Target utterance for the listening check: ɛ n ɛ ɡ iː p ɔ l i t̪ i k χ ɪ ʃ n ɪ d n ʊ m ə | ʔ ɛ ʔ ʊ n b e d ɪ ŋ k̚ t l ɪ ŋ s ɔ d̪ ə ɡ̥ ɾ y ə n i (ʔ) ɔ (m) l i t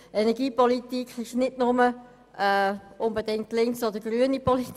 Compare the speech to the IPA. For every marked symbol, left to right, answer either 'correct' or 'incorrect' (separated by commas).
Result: incorrect, incorrect